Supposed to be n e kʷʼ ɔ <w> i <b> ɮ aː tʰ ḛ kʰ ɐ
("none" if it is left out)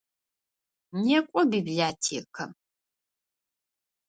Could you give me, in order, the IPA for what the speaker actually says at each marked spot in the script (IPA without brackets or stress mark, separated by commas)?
b, b